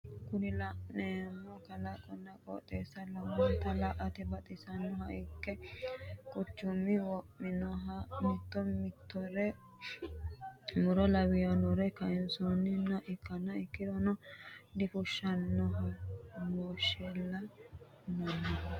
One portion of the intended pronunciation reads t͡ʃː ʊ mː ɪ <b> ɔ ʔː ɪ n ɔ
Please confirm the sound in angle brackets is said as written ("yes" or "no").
no